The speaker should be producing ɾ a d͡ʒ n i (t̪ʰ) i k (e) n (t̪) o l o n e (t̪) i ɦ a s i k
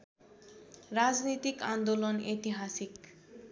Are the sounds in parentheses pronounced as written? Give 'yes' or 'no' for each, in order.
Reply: no, no, no, yes

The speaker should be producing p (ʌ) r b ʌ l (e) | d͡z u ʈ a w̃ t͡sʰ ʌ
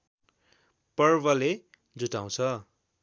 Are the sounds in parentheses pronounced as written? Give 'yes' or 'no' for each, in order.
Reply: yes, yes

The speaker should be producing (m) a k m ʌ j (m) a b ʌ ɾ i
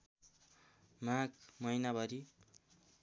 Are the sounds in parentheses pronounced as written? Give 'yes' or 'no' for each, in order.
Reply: yes, no

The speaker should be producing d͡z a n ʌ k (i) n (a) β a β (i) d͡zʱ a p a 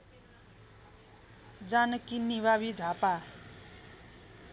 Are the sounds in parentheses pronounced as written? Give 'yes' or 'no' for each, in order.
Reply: yes, no, yes

